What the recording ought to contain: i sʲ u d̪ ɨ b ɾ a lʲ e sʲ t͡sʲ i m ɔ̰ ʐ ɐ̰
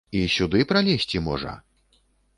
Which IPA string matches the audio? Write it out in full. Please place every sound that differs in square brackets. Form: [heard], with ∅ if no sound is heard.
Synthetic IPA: i sʲ u d̪ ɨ [p] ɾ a lʲ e sʲ t͡sʲ i m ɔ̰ ʐ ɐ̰

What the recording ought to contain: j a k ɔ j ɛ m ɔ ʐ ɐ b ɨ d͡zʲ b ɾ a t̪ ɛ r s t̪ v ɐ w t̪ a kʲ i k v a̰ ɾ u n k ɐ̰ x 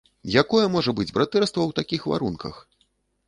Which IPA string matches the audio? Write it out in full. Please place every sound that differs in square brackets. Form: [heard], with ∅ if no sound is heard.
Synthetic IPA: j a k ɔ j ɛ m ɔ ʐ ɐ b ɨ d͡zʲ b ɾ a t̪ ɛ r s t̪ v ɐ w t̪ a kʲ i [x] v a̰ ɾ u n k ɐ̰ x

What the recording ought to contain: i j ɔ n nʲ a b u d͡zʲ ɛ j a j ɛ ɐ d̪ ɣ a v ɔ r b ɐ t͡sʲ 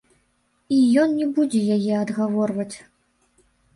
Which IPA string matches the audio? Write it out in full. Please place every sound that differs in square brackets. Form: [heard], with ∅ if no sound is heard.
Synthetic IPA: i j ɔ n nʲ [ɛ] b u d͡zʲ ɛ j a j ɛ ɐ d̪ ɣ a v ɔ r [v] ɐ t͡sʲ

